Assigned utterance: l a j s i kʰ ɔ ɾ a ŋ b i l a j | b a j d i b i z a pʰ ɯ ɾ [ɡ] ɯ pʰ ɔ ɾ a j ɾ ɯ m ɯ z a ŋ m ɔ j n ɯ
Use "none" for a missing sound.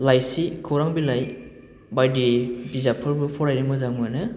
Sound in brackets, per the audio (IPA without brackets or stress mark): b